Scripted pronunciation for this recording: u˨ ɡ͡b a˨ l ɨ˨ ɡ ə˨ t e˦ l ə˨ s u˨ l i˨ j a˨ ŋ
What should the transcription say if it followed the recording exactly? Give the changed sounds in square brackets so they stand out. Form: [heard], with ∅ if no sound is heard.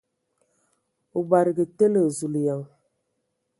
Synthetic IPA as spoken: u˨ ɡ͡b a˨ [ɾ] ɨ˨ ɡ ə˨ t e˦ l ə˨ [z] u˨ l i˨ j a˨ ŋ